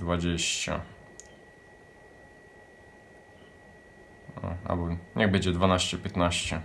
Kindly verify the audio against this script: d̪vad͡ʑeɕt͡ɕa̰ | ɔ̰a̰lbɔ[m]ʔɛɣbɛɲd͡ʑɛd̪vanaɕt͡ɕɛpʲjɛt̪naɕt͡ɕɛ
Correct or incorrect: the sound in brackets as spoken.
incorrect: ɲ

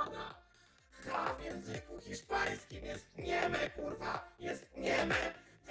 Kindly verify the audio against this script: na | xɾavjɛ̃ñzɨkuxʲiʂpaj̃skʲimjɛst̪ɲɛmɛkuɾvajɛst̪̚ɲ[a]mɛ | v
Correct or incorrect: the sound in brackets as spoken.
incorrect: ɛ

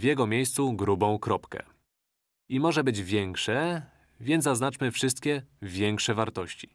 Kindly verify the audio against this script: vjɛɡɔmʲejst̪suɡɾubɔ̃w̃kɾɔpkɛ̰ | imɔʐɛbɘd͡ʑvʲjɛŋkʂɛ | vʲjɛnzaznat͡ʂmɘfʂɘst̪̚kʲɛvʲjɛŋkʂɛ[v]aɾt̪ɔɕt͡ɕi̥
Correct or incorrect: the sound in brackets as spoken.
correct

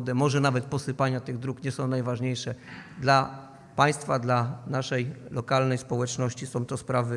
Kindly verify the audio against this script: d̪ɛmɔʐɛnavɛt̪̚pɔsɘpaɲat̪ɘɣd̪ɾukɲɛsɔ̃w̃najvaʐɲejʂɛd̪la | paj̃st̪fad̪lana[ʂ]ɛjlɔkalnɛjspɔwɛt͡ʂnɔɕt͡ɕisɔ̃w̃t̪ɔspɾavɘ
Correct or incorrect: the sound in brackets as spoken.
correct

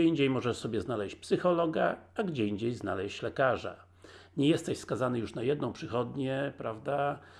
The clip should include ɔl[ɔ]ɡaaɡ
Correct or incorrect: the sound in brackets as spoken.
correct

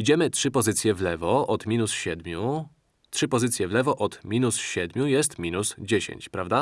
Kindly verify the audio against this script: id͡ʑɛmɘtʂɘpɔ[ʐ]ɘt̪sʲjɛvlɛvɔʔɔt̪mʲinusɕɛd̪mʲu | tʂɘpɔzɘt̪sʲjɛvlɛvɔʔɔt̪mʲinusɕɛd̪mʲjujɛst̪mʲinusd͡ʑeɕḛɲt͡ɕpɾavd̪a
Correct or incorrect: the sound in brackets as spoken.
incorrect: z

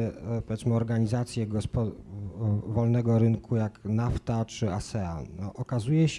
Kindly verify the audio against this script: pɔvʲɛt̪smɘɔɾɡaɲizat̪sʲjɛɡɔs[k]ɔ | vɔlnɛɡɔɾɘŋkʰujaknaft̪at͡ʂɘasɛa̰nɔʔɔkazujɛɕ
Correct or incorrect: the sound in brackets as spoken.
incorrect: p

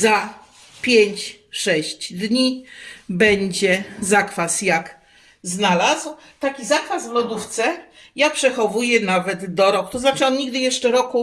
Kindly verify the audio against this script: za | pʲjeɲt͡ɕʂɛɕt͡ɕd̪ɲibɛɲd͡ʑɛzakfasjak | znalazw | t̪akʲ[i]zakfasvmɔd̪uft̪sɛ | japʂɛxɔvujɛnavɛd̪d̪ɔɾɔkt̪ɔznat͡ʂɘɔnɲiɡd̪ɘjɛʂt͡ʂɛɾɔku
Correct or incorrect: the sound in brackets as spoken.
correct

